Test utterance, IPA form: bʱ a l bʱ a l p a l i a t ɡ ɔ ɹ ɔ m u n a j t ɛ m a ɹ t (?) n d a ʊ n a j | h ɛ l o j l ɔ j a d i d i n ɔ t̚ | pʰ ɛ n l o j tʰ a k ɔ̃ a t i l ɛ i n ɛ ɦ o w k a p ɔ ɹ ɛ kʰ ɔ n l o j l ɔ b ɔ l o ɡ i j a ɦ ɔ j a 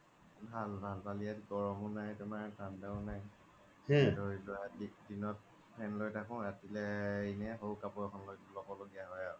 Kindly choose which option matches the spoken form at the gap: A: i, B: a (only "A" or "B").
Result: B